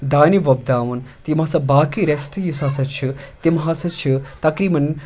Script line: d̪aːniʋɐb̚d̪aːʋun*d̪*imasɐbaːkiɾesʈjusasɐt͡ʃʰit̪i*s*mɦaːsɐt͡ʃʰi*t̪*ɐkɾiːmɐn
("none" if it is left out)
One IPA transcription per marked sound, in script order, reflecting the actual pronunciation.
t̪, none, t̪

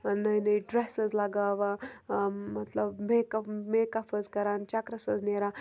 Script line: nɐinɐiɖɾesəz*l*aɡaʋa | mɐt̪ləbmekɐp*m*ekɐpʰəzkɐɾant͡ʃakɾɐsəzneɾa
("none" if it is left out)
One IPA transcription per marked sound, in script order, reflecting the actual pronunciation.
l, m

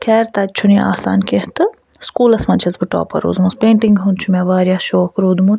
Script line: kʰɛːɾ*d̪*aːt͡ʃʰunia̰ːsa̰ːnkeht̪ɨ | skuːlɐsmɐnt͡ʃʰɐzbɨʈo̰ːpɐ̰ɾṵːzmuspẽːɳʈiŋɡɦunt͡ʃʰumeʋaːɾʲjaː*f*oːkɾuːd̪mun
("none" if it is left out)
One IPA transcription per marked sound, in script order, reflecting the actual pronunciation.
t̪, ʃ

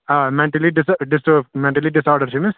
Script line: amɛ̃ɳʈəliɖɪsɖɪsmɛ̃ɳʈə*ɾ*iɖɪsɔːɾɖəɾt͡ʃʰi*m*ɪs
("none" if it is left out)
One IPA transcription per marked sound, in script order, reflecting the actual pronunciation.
l, m

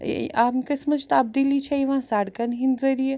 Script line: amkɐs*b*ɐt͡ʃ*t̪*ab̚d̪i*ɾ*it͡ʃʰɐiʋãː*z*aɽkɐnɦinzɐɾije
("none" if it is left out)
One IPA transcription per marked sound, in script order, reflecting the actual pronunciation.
m, t̪, l, s

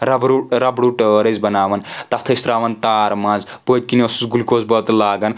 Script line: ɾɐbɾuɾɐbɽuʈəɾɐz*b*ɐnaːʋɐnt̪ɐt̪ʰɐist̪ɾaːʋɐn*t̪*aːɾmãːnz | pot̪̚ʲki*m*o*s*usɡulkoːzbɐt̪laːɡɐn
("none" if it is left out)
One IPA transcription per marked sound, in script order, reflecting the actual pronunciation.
b, t̪, n, s

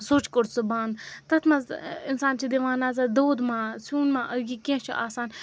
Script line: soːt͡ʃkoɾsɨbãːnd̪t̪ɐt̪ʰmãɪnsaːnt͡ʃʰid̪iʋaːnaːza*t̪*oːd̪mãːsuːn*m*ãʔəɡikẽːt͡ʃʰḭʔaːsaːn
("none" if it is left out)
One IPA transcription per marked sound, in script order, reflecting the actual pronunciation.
d̪, m

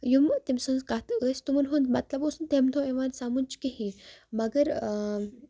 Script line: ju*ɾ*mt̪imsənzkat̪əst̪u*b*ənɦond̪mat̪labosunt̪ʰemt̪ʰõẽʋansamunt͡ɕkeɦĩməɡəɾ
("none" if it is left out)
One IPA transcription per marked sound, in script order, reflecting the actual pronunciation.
none, m

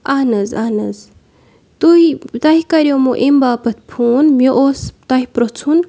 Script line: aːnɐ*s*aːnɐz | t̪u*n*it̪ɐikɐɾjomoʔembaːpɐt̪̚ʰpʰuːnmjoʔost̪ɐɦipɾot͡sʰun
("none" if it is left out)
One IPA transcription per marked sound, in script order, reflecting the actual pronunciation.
z, none

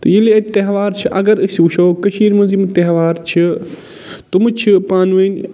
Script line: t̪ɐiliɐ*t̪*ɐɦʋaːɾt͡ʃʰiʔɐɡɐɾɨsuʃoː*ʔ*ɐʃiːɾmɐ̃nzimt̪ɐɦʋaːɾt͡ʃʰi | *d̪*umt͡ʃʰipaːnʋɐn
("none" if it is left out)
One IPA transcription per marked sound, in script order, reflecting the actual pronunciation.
t̪, k, t̪

